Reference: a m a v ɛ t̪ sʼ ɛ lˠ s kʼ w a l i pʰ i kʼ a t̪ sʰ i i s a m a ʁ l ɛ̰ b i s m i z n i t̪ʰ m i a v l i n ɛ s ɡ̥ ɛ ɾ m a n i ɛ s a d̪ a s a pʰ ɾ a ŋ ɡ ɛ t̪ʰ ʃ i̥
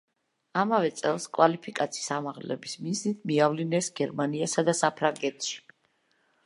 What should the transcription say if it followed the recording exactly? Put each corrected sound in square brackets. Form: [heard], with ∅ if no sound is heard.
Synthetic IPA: a m a v ɛ t̪ sʼ ɛ lˠ s kʼ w a l i pʰ i kʼ a t̪ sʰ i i s a m a ʁ l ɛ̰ b i s m i z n i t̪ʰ m i a v l i n ɛ s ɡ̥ ɛ ɾ m a n i [a] s a d̪ a s a pʰ ɾ a ŋ ɡ ɛ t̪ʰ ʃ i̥